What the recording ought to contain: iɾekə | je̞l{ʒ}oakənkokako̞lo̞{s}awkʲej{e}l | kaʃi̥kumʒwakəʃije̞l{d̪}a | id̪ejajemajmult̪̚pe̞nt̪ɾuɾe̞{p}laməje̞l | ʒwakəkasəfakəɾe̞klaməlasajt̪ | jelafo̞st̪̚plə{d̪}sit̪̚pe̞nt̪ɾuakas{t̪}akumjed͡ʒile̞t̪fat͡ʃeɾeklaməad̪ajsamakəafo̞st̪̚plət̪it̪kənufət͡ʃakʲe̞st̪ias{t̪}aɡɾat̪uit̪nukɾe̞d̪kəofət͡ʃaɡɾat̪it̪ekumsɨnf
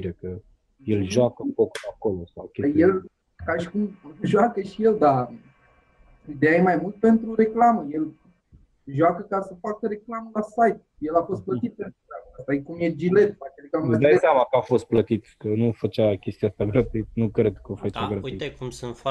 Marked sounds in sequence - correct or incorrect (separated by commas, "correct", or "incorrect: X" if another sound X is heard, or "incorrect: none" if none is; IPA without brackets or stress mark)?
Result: correct, correct, correct, correct, incorrect: k, incorrect: t̪, correct, correct